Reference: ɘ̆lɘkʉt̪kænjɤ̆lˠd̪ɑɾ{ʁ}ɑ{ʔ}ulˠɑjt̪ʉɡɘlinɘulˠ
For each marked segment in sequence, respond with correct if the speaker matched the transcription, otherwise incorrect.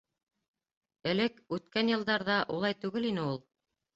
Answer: incorrect, correct

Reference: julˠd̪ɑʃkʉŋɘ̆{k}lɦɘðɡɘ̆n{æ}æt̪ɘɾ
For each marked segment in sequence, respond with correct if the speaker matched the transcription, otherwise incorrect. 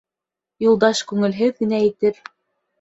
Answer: incorrect, correct

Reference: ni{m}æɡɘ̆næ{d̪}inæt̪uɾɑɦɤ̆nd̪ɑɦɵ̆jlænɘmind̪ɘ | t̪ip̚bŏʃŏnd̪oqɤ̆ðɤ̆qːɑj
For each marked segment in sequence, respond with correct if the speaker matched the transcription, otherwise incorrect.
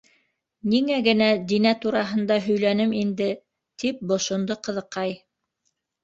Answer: incorrect, correct

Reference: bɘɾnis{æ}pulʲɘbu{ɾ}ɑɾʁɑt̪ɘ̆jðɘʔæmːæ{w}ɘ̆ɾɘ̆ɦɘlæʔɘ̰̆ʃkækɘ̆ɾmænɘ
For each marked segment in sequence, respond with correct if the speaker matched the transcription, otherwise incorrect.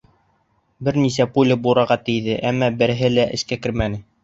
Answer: correct, correct, incorrect

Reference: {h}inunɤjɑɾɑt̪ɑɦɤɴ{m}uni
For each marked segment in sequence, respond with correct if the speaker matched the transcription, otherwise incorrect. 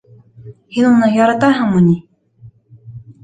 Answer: correct, correct

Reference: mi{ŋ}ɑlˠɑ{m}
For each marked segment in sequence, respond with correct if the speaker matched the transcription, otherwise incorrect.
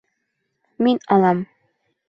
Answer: incorrect, correct

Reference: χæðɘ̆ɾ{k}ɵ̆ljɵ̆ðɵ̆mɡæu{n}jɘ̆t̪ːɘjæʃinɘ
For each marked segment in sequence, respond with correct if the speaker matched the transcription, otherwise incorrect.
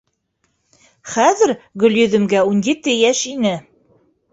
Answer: incorrect, correct

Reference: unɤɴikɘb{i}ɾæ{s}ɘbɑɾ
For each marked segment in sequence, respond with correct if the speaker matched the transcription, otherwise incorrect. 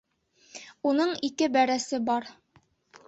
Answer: incorrect, correct

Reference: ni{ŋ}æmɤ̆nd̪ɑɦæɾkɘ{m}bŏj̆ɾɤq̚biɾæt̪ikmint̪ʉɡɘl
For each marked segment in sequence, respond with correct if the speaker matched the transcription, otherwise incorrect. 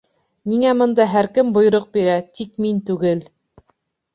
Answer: correct, correct

